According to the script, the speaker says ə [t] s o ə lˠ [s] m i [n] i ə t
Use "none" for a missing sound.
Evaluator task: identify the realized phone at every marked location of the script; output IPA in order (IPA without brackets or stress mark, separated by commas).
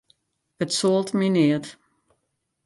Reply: t, t, n